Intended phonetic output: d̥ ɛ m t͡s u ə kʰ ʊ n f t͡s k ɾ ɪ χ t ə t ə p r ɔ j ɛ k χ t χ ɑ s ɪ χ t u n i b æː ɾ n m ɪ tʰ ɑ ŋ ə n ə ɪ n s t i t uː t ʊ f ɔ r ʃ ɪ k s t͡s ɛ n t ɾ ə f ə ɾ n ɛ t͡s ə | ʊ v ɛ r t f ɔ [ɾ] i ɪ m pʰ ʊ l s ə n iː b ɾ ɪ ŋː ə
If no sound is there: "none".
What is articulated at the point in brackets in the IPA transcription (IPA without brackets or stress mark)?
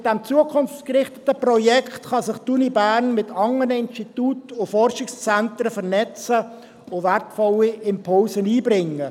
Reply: l